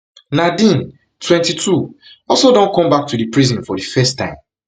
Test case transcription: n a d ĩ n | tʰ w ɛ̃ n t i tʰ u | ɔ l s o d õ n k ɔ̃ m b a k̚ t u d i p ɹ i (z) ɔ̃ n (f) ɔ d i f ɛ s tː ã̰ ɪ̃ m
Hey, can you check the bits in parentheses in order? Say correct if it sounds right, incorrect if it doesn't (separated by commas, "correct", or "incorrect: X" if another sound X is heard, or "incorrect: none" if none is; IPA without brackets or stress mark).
correct, correct